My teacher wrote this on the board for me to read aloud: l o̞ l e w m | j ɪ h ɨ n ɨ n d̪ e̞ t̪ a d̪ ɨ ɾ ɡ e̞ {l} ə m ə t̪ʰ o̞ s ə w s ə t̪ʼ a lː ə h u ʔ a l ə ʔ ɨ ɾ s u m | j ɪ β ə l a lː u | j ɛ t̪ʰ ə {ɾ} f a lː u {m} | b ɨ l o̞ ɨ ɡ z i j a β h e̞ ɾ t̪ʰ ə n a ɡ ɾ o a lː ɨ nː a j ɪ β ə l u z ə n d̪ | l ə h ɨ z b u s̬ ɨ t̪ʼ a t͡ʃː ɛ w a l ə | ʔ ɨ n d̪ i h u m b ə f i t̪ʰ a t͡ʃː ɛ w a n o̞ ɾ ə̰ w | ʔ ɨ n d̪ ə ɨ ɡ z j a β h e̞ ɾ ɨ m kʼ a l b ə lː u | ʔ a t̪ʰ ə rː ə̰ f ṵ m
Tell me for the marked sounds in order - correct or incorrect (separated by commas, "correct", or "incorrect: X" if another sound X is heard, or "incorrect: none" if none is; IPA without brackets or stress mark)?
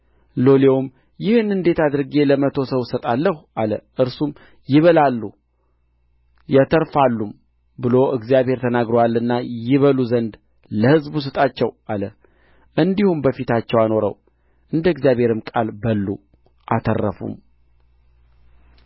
correct, correct, correct